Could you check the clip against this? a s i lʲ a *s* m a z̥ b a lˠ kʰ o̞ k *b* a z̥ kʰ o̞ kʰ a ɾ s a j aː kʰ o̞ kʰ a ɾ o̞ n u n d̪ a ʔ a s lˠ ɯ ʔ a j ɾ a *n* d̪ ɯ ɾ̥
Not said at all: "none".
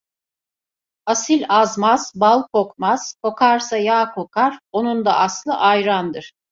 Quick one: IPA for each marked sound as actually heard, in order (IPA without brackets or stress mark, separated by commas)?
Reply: z, m, n